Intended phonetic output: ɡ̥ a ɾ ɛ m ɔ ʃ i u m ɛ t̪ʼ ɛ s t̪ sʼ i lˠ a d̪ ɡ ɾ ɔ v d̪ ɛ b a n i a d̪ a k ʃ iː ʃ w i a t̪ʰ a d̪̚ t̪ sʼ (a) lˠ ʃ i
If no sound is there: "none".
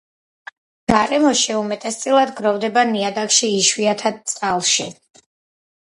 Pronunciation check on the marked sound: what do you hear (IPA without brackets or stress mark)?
a